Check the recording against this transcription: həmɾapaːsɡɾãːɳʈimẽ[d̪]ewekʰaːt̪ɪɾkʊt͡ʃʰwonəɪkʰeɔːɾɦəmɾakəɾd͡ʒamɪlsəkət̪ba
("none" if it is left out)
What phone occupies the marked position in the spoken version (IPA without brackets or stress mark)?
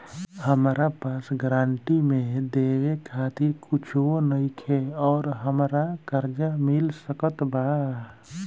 d̪